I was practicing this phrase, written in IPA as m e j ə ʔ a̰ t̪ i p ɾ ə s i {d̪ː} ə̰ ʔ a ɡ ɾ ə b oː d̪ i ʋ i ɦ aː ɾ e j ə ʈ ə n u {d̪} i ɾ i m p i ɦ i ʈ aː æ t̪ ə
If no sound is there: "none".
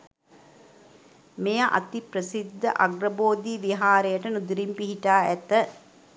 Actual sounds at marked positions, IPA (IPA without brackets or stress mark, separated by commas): d̪ː, d̪